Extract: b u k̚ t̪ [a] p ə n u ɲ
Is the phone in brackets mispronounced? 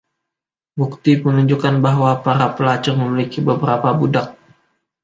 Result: yes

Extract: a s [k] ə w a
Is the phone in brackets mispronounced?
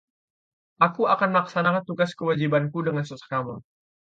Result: no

